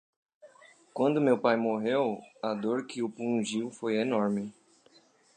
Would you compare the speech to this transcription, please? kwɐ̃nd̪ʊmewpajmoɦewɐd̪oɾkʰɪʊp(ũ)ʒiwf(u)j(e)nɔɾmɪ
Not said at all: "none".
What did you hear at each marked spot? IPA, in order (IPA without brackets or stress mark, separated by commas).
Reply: ũ, o, e